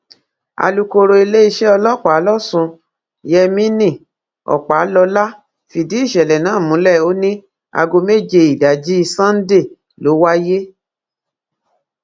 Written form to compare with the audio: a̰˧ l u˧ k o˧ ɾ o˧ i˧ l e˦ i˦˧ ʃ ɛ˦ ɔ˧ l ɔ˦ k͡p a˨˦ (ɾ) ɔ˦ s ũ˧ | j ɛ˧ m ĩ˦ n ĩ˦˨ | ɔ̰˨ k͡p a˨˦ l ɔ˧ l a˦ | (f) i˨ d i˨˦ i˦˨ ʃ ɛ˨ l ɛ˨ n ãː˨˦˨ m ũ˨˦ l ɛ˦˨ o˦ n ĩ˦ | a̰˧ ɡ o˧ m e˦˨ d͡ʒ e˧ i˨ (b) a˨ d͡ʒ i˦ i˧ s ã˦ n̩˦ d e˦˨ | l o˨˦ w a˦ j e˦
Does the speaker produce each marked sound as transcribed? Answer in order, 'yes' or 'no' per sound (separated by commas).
no, yes, no